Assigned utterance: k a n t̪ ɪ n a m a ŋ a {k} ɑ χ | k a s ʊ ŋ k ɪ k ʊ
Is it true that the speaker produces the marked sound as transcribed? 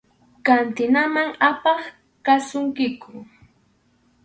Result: no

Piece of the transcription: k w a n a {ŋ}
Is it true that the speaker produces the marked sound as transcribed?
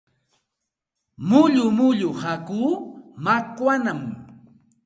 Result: no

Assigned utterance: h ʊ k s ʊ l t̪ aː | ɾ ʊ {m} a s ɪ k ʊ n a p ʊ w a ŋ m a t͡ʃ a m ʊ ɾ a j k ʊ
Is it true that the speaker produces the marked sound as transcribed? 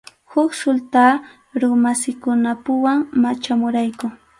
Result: yes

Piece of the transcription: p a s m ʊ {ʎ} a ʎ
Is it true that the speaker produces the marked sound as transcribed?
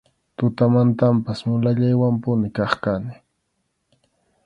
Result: no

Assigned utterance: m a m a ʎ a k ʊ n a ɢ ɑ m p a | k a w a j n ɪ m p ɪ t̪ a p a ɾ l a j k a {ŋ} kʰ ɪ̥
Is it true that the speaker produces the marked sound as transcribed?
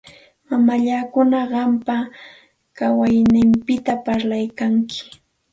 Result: yes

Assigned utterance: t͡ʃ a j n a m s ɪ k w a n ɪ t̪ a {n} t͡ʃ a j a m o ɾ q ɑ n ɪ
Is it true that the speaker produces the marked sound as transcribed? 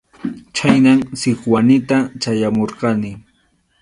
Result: no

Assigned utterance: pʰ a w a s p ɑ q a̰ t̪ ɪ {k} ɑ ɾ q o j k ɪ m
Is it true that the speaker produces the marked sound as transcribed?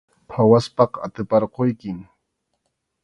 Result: no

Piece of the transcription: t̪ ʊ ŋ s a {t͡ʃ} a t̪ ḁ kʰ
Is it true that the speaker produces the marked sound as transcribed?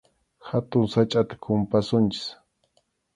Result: no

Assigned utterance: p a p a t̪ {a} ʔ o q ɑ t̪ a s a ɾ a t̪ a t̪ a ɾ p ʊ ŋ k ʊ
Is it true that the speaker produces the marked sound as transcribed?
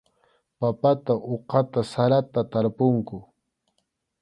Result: yes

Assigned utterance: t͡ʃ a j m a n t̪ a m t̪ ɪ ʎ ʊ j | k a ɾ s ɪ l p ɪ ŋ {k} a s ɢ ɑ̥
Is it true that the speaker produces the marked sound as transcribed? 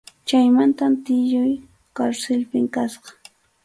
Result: yes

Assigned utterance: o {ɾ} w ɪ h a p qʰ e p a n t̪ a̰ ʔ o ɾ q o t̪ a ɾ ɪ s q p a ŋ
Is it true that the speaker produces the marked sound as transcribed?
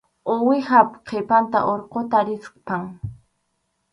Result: no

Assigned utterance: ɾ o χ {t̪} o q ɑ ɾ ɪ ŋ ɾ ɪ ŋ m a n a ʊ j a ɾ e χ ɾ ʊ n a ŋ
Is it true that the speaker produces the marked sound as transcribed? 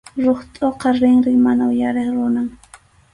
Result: no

